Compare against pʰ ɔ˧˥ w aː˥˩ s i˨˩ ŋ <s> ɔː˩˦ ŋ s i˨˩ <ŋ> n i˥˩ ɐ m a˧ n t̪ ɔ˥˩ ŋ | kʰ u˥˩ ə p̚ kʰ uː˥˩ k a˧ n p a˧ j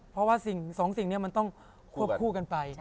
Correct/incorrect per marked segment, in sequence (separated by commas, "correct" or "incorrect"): correct, correct